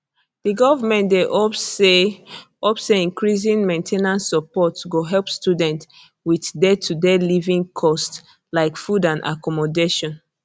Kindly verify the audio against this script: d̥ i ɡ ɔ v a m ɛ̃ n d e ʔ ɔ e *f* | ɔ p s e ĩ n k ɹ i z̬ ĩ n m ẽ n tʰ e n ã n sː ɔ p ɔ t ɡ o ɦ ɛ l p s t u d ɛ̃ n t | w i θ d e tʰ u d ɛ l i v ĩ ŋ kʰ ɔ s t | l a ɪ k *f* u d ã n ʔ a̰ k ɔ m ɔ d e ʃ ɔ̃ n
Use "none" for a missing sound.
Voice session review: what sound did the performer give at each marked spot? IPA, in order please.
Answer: none, f

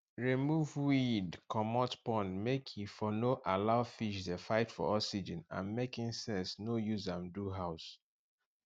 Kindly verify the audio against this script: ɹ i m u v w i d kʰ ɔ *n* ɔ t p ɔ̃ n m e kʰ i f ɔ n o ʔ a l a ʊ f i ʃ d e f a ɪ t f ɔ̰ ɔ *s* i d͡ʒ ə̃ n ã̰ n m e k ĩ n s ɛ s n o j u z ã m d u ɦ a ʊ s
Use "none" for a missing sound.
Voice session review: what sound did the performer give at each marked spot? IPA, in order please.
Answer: m, s

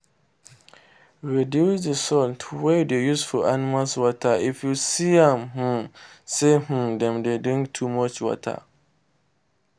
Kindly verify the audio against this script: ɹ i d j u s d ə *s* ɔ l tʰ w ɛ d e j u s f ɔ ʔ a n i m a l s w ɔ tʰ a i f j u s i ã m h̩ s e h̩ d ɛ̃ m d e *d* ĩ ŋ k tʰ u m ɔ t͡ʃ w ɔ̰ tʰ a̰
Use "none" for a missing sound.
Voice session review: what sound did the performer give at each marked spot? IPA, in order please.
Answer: s, d

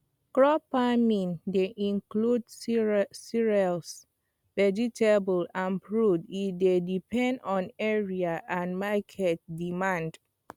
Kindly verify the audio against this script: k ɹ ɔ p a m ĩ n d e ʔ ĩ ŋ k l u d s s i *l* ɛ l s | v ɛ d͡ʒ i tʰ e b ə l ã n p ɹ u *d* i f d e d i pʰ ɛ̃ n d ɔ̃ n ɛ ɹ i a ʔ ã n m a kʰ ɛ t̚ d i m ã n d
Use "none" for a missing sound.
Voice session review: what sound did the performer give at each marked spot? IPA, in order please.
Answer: ɹ, d

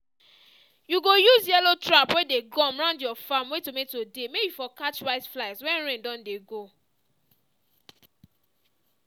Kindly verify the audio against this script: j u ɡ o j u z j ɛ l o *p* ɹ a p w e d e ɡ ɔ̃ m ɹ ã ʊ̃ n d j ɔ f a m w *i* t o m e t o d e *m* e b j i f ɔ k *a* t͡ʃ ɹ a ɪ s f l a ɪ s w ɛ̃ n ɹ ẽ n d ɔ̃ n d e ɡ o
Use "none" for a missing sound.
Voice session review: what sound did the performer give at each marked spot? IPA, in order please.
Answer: t, e, m, a

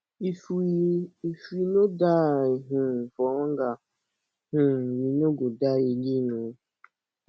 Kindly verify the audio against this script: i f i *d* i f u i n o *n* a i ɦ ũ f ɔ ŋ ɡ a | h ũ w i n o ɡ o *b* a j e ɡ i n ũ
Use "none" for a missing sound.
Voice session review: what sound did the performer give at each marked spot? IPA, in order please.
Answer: none, d, d

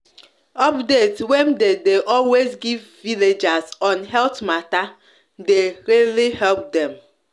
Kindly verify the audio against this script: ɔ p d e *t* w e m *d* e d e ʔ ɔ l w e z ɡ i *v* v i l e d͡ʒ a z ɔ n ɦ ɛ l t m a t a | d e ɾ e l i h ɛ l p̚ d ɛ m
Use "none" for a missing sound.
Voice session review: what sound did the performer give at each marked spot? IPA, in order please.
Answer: t, d, v

